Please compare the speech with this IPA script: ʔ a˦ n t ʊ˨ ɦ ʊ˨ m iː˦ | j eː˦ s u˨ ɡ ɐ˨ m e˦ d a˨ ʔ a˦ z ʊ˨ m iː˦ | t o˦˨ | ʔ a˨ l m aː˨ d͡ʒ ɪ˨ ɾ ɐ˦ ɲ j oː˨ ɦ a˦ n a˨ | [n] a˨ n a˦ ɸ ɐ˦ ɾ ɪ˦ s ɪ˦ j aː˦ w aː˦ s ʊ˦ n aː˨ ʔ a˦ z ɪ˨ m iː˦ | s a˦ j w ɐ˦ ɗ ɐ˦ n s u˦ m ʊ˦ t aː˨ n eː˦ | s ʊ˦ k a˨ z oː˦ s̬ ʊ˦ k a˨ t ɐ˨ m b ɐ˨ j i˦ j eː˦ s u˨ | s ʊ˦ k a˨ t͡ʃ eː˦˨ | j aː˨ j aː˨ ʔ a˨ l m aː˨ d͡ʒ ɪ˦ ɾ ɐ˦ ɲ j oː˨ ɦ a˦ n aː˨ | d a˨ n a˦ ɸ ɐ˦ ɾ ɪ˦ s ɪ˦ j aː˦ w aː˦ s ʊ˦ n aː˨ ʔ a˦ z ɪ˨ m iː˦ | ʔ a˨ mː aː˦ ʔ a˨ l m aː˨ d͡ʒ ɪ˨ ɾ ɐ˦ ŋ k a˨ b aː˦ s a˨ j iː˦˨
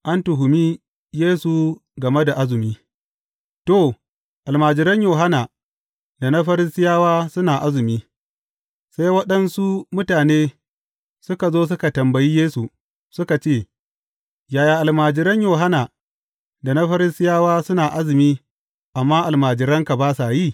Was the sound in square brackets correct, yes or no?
no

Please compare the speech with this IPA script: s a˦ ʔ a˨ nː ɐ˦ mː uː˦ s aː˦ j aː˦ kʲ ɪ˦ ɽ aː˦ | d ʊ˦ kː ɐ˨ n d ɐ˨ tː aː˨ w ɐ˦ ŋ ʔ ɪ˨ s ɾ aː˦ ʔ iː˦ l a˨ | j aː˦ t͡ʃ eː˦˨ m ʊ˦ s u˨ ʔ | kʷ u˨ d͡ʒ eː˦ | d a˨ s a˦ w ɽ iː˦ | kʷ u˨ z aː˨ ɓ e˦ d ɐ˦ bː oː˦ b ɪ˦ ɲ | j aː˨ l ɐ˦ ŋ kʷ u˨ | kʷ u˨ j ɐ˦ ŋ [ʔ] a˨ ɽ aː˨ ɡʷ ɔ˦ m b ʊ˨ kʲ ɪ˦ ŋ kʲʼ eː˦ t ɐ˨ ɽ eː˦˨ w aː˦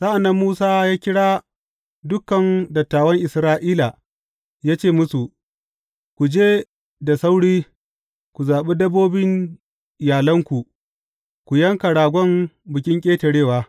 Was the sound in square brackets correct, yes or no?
no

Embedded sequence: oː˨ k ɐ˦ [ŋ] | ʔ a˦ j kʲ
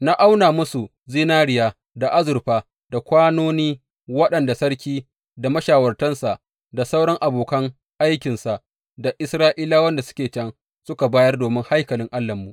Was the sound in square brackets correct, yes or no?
yes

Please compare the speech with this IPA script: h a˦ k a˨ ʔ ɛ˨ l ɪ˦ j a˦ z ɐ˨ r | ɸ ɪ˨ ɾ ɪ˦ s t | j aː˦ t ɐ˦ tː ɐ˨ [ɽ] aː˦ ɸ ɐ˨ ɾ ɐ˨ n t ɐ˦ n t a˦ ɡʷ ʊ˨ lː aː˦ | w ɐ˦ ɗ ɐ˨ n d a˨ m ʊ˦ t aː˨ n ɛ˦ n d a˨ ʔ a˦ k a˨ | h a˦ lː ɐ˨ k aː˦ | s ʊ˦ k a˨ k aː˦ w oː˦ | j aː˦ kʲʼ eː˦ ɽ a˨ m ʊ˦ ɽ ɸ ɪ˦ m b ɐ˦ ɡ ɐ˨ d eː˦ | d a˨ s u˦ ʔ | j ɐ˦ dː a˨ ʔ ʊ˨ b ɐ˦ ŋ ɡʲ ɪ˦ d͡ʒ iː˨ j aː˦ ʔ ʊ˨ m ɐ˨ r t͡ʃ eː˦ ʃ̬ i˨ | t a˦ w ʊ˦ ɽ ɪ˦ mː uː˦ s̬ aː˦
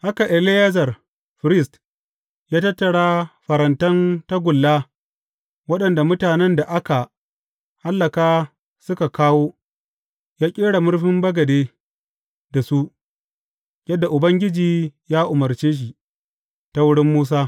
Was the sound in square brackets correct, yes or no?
yes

